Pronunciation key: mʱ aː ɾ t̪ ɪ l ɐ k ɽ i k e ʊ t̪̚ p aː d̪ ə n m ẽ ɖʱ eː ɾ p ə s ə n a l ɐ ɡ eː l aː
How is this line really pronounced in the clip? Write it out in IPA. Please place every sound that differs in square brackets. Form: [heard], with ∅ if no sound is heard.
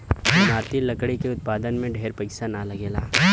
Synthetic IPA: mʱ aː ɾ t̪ [i] l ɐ k ɽ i k e ʊ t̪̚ p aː d̪ ə n m ẽ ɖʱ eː ɾ p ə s [a] n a l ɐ ɡ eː l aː